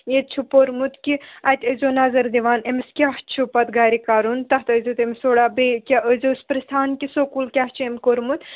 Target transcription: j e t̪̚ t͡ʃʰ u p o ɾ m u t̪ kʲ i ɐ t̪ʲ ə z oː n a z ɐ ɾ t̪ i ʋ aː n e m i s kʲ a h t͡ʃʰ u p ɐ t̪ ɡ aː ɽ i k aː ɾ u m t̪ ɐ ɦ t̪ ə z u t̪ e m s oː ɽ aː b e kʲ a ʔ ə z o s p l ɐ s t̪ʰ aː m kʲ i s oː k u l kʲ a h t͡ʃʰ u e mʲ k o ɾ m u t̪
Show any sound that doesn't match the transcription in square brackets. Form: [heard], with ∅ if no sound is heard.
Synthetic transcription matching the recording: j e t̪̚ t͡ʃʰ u p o ɾ m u t̪ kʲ i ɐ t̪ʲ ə z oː n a z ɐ ɾ [d̪] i ʋ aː n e m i s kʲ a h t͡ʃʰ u p ɐ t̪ ɡ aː [ɾ] i k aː ɾ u [n] t̪ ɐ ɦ t̪ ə z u t̪ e m s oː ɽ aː b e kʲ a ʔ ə z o s p [ɾ] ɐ s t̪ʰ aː [n] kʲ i s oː k u l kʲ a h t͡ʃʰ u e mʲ k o ɾ m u t̪